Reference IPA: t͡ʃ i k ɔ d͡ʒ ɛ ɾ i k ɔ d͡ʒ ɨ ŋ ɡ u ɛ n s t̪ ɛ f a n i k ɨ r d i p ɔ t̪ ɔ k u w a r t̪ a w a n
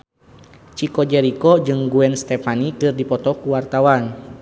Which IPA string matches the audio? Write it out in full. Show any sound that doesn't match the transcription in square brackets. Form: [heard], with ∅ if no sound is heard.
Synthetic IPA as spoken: t͡ʃ i k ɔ d͡ʒ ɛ ɾ i k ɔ d͡ʒ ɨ ŋ ɡ u ɛ n s t̪ ɛ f a n i k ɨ r d i p ɔ t̪ ɔ k u w a r t̪ a w a n